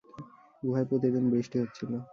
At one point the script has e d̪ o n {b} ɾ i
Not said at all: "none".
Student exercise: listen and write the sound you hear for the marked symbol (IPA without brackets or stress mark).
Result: b